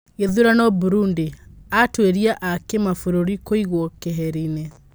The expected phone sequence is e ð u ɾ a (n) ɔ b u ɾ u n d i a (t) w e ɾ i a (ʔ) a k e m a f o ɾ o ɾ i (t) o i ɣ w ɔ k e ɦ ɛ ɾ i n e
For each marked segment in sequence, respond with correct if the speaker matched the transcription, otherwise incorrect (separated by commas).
correct, correct, correct, incorrect